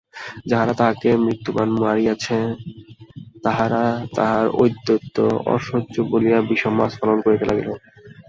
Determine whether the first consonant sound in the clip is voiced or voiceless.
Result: voiced